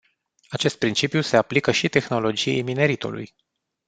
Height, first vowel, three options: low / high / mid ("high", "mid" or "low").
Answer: low